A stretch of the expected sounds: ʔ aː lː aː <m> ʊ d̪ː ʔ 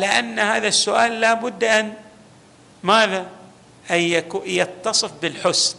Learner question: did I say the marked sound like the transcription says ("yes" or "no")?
no